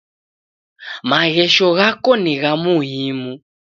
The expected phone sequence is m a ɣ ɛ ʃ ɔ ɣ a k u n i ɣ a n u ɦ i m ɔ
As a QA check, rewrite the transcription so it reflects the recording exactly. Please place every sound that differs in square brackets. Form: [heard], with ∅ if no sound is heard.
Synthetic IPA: m a ɣ ɛ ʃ ɔ ɣ a k [ɔ] n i ɣ a [m] u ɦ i m [u]